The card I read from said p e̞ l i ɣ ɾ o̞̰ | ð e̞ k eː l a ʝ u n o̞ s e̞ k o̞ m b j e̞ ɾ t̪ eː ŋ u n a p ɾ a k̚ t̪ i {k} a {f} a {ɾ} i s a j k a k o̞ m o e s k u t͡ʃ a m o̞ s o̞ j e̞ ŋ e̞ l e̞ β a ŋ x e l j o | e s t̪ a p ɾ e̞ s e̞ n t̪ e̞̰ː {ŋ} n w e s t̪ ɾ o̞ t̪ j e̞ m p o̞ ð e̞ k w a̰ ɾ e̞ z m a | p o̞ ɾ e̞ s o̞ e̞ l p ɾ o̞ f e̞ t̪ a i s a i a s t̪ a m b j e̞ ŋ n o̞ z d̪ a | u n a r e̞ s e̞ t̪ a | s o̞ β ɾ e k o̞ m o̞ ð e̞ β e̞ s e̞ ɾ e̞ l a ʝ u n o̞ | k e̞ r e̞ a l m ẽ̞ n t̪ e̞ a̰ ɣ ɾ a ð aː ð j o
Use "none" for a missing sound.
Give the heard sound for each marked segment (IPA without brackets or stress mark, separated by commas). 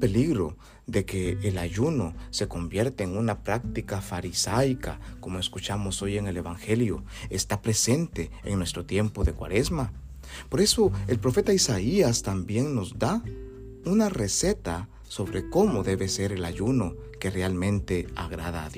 k, f, ɾ, ŋ